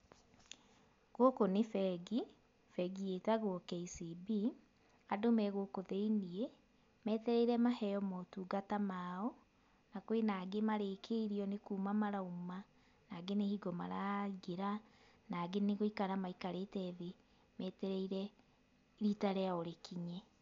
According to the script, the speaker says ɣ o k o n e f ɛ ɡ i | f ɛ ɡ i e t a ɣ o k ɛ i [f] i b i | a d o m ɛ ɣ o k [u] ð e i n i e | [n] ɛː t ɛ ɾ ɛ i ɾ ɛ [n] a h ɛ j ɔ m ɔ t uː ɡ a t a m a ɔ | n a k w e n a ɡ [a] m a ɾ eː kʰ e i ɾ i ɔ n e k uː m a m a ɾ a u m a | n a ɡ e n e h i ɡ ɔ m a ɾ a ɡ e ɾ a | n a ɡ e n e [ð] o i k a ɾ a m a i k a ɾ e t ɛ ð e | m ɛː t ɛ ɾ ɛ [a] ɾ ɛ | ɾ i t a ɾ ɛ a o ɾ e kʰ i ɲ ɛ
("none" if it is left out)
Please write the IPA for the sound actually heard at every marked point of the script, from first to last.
s, o, m, m, e, ɣ, i

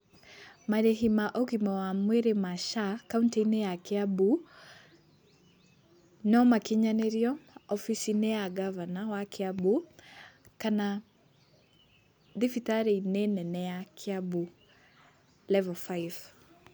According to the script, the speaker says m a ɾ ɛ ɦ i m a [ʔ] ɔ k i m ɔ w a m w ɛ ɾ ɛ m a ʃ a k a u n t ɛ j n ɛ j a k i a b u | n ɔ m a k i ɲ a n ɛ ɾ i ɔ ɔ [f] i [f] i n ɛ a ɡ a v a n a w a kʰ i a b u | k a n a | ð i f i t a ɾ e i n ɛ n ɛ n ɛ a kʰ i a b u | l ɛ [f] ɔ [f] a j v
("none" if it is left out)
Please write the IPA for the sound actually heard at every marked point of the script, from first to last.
ʔ, f, s, v, f

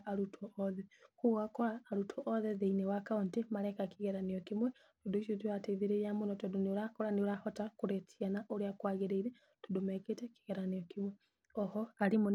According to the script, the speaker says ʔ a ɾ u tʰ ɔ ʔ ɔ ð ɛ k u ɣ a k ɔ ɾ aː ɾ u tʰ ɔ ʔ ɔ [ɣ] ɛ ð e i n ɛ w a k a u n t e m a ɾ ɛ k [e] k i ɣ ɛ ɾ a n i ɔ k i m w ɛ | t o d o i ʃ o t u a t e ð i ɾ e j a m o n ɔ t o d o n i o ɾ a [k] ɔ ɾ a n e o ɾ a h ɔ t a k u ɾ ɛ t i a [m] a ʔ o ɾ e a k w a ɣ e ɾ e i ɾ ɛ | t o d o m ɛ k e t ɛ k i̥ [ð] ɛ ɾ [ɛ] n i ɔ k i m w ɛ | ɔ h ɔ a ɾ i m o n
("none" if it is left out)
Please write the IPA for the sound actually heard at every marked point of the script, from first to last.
ð, a, k, n, ɣ, a

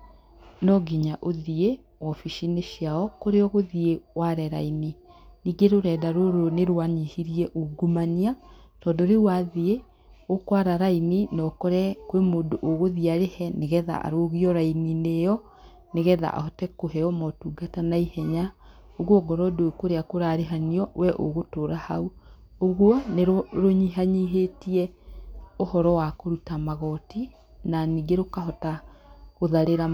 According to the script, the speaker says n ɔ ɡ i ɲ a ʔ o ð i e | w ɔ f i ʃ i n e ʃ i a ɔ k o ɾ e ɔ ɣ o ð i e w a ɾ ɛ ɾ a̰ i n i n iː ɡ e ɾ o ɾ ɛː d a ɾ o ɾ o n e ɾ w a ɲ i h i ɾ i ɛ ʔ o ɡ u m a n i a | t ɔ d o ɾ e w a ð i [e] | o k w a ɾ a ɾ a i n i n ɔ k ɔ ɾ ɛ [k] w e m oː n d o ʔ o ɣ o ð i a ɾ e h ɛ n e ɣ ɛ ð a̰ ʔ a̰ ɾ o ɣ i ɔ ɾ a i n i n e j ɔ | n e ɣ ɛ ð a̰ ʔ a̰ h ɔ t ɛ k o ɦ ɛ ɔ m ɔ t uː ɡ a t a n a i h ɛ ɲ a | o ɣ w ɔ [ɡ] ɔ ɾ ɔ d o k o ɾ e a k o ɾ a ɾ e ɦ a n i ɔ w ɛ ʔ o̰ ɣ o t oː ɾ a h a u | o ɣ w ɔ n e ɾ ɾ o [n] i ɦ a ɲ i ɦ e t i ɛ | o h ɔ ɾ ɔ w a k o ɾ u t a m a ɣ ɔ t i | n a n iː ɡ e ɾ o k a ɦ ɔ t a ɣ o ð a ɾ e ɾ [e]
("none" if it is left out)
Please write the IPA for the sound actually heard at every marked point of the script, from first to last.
e, k, ɡ, ɲ, a

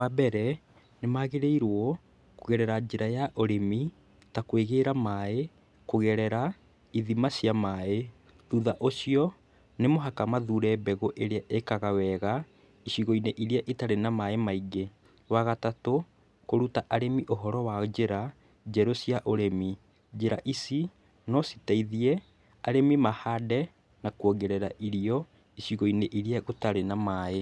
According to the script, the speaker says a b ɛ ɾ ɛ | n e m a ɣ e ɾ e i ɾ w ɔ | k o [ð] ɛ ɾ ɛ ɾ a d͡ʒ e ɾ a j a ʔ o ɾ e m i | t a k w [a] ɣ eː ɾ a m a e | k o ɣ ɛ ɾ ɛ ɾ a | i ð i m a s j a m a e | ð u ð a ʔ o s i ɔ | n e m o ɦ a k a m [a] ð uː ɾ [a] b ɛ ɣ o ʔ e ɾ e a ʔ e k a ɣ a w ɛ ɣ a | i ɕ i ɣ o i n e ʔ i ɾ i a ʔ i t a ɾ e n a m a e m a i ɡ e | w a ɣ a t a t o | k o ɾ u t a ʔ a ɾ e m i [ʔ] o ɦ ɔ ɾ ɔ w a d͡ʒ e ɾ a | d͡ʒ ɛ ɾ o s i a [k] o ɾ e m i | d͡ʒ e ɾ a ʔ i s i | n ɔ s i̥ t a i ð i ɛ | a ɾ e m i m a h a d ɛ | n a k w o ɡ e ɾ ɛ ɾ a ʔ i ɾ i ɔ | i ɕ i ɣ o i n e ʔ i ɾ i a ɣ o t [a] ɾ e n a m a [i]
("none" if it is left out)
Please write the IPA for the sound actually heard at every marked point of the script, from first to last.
ɣ, e, a, ɛ, ʔ, ʔ, a, e

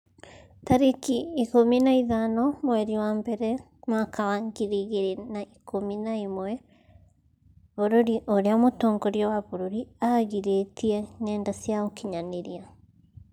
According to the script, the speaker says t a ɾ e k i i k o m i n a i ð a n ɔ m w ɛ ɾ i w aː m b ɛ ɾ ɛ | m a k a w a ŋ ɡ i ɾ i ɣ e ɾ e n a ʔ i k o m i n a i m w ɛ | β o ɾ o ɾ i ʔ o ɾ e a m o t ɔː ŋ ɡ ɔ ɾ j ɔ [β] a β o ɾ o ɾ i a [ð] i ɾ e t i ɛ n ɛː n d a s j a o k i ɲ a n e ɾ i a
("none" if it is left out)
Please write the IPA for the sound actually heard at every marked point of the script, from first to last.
w, ɣ

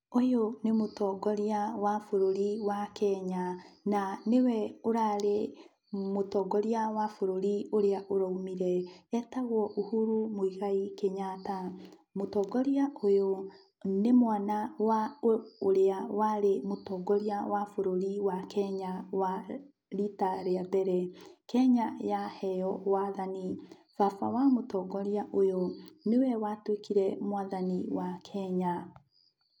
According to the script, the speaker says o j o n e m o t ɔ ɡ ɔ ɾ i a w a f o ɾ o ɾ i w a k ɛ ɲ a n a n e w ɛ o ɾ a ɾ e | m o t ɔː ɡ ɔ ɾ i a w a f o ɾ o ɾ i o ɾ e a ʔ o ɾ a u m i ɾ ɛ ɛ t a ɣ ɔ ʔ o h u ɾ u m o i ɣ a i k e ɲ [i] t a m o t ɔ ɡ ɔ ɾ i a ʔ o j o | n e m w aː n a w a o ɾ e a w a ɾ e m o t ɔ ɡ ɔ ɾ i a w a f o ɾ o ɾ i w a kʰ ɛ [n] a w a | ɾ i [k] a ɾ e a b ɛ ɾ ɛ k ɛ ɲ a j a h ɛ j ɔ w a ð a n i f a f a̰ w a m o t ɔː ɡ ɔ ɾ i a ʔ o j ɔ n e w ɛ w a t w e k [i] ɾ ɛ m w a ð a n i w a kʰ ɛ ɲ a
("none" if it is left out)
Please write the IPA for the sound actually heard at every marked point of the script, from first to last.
a, ɲ, t, i

